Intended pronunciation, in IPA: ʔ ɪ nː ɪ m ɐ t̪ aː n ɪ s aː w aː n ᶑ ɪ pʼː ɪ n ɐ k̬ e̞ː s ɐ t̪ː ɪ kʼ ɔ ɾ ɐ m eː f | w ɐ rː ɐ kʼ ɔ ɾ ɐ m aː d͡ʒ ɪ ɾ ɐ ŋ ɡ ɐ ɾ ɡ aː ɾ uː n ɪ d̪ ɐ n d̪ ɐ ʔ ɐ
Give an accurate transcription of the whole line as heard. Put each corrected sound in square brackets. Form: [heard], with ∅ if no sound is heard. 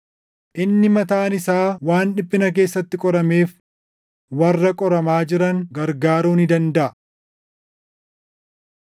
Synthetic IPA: ʔ ɪ nː ɪ m ɐ t̪ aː n ɪ s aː w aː n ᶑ ɪ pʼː ɪ n ɐ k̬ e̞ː [sː] ɐ t̪ː ɪ kʼ ɔ ɾ ɐ m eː f | w ɐ rː ɐ kʼ ɔ ɾ ɐ m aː d͡ʒ ɪ ɾ ɐ ŋ ɡ ɐ ɾ ɡ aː ɾ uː n ɪ d̪ ɐ n d̪ ɐ ʔ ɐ